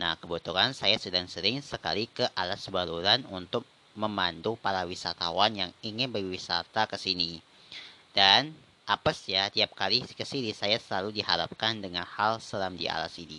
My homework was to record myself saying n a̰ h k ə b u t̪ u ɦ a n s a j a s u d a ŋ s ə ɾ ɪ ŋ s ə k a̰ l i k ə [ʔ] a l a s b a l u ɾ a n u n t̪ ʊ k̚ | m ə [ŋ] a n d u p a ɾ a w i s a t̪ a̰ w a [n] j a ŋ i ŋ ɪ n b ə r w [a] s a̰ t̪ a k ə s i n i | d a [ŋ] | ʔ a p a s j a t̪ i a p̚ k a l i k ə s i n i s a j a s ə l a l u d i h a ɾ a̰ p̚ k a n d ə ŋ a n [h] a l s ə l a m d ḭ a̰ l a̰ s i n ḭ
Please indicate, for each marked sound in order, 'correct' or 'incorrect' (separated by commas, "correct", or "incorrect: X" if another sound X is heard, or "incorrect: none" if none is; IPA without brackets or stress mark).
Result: correct, incorrect: m, correct, incorrect: i, incorrect: n, correct